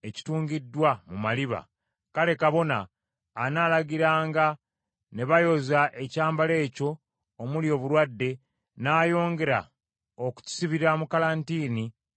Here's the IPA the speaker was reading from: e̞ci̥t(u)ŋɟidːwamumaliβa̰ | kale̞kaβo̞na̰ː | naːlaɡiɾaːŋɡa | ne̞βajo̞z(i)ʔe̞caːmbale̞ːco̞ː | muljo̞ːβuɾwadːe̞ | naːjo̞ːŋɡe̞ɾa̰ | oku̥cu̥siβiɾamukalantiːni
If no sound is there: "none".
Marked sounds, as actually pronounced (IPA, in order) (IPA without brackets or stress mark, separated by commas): uː, a